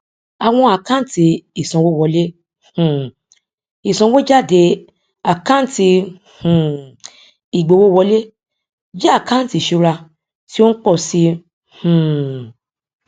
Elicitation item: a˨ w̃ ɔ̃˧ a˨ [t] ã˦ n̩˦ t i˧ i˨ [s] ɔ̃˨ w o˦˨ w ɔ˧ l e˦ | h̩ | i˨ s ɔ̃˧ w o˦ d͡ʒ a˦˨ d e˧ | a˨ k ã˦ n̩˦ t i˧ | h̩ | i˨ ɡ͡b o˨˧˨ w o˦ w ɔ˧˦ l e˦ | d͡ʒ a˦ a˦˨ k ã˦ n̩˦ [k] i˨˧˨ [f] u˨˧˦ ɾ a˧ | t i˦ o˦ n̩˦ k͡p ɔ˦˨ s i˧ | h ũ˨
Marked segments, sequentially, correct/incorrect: incorrect, correct, incorrect, incorrect

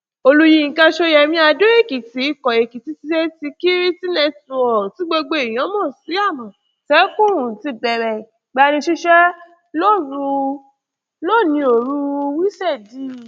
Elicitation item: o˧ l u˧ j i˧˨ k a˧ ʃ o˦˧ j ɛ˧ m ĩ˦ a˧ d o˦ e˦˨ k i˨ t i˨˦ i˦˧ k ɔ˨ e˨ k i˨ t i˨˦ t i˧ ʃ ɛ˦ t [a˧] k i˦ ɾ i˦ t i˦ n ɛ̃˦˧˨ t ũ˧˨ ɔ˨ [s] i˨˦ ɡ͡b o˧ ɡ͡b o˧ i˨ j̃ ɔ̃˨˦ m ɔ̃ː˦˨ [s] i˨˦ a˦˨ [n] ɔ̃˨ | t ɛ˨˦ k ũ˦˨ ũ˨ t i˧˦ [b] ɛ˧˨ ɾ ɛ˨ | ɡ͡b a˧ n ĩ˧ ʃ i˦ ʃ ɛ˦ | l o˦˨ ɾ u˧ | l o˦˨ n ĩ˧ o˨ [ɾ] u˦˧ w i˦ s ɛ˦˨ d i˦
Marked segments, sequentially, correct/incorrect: incorrect, incorrect, correct, incorrect, correct, correct

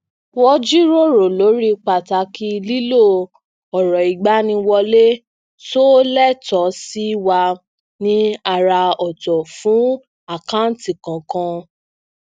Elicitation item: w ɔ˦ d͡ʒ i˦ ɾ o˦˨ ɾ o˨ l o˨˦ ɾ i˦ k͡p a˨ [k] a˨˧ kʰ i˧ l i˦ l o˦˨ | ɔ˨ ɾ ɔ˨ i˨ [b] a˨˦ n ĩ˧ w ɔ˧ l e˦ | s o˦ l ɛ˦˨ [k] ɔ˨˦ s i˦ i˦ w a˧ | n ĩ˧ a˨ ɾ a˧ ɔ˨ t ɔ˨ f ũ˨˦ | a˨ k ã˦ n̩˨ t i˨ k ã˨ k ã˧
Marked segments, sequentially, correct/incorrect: incorrect, incorrect, incorrect

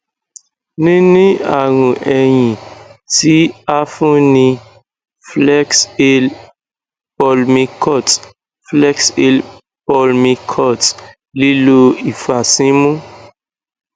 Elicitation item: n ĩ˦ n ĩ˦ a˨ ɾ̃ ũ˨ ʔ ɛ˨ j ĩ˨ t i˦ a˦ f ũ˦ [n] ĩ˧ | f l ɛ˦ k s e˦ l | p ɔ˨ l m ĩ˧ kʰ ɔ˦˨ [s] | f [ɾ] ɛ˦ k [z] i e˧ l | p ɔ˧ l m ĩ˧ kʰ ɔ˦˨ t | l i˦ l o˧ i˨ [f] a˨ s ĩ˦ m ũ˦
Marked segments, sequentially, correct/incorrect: correct, incorrect, incorrect, incorrect, correct

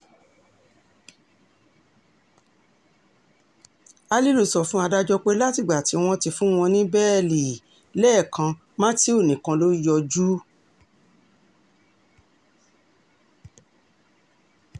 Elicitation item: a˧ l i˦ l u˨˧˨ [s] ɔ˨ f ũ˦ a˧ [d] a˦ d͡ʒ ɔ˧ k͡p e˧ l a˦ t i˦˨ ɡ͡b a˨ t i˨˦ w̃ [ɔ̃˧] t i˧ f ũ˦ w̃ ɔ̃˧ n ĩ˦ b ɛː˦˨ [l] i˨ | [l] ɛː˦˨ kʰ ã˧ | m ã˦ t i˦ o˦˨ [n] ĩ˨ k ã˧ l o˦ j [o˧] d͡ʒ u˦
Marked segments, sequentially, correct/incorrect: correct, correct, correct, correct, correct, correct, incorrect

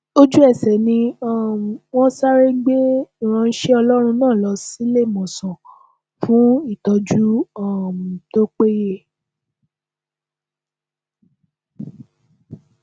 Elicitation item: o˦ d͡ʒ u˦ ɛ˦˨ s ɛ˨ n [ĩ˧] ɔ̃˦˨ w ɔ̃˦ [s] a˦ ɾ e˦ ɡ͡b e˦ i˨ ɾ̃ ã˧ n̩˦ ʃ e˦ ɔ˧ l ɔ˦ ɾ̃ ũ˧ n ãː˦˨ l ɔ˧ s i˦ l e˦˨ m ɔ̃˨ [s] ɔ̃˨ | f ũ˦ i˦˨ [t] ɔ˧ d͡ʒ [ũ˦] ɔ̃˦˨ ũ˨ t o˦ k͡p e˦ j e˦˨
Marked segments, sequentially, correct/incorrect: correct, correct, correct, correct, incorrect

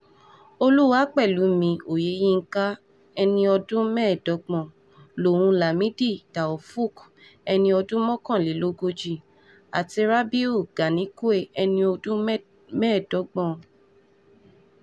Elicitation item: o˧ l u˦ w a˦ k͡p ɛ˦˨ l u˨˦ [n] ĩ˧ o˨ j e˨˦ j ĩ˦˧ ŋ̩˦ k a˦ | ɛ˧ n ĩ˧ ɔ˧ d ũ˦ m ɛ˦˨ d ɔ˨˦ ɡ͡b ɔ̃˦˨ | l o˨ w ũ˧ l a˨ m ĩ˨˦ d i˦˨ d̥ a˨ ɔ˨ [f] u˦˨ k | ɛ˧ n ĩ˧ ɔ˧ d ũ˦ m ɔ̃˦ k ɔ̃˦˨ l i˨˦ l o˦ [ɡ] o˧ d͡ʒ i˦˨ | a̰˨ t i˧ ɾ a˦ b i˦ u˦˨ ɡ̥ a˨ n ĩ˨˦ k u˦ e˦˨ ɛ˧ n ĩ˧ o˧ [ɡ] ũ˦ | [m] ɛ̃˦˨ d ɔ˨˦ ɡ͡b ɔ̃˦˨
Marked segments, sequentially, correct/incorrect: incorrect, correct, correct, incorrect, correct

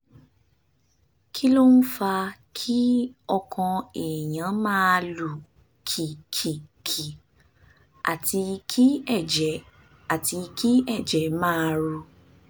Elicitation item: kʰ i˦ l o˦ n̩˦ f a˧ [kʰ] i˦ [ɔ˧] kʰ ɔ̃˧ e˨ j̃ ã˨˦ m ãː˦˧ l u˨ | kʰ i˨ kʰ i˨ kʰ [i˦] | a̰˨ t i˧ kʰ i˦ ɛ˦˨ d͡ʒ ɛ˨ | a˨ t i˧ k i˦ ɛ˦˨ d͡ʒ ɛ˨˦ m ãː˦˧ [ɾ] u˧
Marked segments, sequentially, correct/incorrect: correct, correct, incorrect, correct

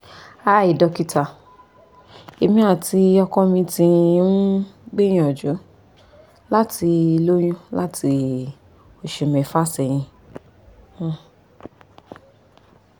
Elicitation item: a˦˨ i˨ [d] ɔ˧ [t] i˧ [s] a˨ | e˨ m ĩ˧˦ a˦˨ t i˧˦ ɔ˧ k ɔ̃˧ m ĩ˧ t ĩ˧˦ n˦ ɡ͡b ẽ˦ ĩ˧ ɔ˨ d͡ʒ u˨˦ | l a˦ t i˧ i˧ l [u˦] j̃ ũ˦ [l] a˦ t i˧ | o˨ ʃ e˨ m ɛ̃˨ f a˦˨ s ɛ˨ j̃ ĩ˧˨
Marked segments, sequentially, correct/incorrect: correct, incorrect, incorrect, incorrect, correct

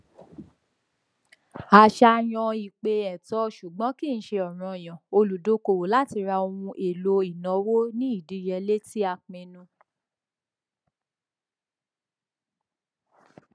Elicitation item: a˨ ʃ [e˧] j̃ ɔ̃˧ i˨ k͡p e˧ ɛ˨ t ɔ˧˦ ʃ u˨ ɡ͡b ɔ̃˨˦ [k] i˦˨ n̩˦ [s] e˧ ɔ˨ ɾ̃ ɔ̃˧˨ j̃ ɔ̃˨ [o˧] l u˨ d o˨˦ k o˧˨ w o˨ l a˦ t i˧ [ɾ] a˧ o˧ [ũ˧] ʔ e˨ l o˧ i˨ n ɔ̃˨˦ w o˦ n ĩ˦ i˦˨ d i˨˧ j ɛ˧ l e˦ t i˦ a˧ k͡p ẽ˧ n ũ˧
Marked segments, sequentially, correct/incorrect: incorrect, correct, incorrect, correct, correct, correct

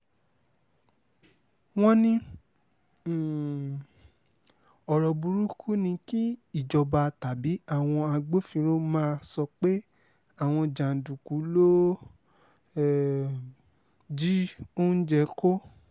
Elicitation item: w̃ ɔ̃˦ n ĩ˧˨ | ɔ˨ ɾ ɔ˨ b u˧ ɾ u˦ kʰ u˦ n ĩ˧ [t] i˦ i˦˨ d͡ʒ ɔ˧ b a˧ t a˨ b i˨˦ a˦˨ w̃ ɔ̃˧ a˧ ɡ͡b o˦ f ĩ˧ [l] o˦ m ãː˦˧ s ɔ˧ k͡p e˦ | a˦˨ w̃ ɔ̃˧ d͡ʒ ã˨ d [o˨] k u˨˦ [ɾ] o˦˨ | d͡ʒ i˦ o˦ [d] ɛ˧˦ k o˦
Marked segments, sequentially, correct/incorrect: incorrect, incorrect, incorrect, incorrect, incorrect

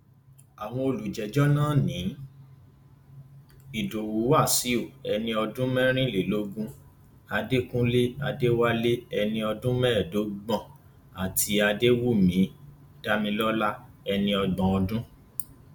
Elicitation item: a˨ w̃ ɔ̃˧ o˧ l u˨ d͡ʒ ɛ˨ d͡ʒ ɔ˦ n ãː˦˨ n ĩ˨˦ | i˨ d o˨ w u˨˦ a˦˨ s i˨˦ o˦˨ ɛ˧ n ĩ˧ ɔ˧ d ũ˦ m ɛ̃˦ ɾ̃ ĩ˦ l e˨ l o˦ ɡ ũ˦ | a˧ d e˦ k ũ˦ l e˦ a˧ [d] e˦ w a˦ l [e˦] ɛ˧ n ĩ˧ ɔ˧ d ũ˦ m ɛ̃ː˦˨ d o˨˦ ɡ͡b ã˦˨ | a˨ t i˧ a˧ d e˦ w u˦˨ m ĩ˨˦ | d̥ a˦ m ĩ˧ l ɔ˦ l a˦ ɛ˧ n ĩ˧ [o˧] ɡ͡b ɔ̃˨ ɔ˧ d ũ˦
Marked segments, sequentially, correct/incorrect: correct, correct, incorrect

